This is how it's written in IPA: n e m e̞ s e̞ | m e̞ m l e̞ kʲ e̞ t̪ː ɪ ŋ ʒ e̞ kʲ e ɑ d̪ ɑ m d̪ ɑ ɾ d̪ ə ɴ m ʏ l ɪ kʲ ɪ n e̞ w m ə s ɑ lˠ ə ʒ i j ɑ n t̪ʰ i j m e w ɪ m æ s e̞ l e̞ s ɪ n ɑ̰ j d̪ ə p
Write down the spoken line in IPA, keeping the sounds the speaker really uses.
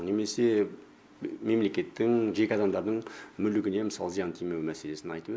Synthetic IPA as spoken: n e m e̞ s e̞ | m e̞ m l e̞ kʲ e̞ t̪ː ɪ ŋ ʒ e̞ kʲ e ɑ d̪ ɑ m d̪ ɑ ɾ d̪ ə ɴ m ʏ l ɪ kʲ ɪ n e̞ m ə s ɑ lˠ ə z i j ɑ n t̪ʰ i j m e w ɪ m æ s e̞ l e̞ s ɪ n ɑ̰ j t̪ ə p